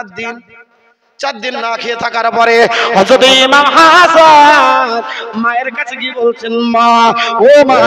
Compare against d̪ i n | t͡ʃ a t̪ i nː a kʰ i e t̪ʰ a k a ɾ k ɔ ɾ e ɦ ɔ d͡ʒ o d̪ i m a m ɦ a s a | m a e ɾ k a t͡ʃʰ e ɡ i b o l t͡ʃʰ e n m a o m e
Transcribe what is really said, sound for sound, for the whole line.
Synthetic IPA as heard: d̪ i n | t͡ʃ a d̪ i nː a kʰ i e t̪ʰ a k a ɾ p ɔ ɾ e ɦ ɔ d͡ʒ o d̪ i m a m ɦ a s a | m a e ɾ k a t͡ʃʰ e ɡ i b o l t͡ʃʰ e n m a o m a

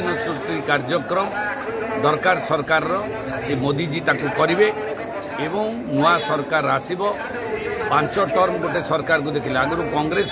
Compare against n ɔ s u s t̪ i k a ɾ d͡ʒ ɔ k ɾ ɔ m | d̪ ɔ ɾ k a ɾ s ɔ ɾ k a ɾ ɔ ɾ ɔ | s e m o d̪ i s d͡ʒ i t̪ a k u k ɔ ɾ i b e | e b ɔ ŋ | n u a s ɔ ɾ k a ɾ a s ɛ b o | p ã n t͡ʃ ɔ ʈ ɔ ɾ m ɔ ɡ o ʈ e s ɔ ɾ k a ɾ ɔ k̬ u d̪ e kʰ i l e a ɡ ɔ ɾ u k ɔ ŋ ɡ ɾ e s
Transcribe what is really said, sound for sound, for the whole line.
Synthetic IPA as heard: n ɔ s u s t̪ i k a ɾ d͡ʒ ɔ k ɾ ɔ m | d̪ ɔ ɾ k a ɾ s ɔ ɾ k a ɾ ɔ ɾ ɔ | s e m o d̪ i d͡ʒ i t̪ a k u k ɔ ɾ i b e | e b ɔ ŋ | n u a s ɔ ɾ k a ɾ a s i b ɔ | p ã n t͡ʃ ɔ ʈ ɔ ɾ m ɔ ɡ o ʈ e s ɔ ɾ k a ɾ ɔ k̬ u d̪ e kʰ i l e a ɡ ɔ ɾ u k ɔ ŋ ɡ ɾ e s

